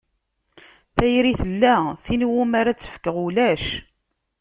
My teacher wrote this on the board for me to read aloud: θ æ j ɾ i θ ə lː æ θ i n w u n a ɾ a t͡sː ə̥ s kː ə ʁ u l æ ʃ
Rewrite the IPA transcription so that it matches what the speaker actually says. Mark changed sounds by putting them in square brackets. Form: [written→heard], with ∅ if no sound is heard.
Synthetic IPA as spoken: θ æ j ɾ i θ ə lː æ θ i n w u [n→m] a ɾ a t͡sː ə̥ [s→f] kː ə ʁ u l æ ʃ